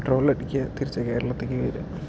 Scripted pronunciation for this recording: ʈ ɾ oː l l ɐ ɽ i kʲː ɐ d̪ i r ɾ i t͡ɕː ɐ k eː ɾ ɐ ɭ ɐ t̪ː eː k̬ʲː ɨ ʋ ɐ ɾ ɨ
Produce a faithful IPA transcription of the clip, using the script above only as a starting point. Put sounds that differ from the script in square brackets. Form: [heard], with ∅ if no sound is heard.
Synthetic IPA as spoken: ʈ [r] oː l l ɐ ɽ i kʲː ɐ [t̪] i [∅] ɾ i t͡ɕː ɐ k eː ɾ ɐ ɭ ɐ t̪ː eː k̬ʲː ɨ ʋ ɐ ɾ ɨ

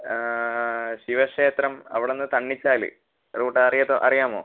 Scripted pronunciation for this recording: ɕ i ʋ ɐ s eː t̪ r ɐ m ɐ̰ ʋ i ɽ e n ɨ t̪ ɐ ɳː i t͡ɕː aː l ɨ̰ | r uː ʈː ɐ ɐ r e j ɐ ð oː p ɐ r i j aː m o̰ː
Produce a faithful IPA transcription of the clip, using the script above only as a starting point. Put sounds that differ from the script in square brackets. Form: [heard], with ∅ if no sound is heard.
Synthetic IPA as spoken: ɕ i ʋ ɐ [ʂ] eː t̪ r ɐ m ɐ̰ ʋ i ɽ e [nː] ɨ t̪ ɐ ɳː i t͡ɕː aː l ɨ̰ | r uː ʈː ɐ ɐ r [i] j ɐ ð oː [ʔ] ɐ r i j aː m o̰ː

